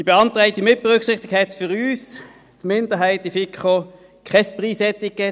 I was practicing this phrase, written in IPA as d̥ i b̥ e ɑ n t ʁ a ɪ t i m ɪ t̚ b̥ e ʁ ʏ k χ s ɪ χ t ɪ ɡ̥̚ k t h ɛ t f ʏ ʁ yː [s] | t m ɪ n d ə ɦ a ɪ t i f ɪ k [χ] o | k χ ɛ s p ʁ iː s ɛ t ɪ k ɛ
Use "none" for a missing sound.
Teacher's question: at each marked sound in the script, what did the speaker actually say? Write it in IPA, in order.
s, χ

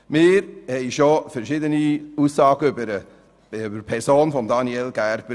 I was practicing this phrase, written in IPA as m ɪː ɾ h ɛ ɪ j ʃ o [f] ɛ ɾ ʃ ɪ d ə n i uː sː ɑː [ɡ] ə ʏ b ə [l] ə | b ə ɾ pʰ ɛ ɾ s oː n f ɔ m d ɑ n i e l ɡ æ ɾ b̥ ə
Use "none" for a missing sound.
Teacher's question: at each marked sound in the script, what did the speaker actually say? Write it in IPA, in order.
f, ɡ, ɾ

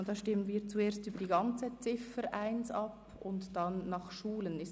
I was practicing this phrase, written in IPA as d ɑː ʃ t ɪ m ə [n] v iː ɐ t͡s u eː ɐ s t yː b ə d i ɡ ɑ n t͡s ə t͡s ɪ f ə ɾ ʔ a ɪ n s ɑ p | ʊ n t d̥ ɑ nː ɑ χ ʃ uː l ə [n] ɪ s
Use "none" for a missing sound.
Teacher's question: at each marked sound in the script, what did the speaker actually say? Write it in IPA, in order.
n, n

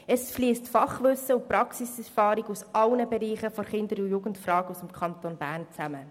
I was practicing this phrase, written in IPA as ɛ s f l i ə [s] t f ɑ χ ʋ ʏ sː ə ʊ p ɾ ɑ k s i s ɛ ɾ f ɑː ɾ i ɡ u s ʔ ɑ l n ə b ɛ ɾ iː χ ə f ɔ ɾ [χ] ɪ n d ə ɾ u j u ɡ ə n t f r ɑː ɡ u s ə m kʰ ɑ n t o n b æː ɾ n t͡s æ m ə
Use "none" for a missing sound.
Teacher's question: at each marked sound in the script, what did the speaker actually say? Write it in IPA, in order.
s, χ

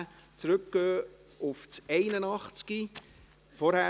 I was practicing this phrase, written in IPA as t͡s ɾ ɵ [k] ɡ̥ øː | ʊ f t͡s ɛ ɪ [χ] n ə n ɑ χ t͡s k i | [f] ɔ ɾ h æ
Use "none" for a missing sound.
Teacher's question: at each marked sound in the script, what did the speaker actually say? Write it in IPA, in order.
k, none, f

